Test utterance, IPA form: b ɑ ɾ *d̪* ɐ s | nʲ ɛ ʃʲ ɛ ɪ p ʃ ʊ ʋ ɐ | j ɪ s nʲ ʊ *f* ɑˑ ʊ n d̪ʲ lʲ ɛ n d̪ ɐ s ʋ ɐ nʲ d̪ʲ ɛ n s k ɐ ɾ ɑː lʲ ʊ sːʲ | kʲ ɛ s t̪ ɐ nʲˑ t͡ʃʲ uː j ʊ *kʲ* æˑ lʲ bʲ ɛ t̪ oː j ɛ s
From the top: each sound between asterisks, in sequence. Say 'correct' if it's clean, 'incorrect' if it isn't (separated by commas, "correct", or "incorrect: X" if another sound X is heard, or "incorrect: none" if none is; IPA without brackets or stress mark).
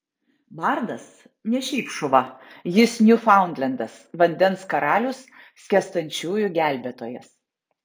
correct, correct, incorrect: ɡʲ